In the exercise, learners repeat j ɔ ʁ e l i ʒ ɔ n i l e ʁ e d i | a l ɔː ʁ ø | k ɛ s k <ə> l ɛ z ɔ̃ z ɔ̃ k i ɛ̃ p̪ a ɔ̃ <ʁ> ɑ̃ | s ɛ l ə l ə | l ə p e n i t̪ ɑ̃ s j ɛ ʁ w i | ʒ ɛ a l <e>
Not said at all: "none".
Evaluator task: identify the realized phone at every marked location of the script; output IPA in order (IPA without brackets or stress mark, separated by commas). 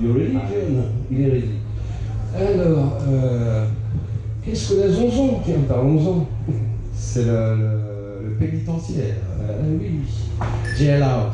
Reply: ə, z, a